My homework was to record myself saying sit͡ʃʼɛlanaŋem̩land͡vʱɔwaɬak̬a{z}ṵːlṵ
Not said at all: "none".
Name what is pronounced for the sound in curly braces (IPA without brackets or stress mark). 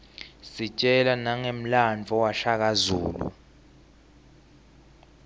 z